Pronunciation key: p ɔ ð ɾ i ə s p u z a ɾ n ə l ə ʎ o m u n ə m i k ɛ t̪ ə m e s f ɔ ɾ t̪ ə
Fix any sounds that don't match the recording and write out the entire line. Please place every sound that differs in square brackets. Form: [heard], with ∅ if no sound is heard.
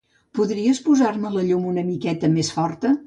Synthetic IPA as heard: p [u] ð ɾ i ə s p u z a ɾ [m] ə l ə ʎ [u] m u n ə m i k ɛ t̪ ə m e s f ɔ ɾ t̪ ə